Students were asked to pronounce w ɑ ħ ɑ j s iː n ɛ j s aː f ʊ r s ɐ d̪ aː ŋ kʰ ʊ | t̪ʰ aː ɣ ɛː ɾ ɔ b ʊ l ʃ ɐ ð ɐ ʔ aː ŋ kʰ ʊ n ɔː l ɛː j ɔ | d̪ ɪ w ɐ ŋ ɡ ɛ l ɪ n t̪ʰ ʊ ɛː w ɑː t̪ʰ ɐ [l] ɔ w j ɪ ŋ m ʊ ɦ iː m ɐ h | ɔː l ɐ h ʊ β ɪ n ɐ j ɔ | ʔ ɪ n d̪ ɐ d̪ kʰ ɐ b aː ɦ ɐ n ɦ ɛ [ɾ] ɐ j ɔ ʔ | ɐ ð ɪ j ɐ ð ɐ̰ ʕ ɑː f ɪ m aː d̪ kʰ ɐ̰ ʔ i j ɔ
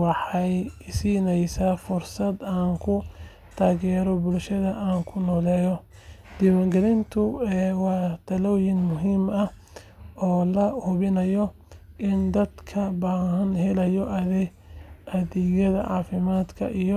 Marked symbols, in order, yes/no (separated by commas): yes, no